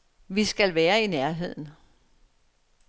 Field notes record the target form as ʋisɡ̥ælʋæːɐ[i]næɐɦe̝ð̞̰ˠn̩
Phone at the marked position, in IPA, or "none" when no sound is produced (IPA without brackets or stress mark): i